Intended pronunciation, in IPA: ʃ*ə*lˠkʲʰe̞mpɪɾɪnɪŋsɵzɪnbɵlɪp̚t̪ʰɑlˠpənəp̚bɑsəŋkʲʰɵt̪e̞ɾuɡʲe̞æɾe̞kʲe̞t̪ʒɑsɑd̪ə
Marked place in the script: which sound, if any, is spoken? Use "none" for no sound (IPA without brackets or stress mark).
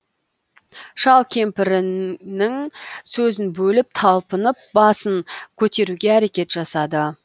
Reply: ɑ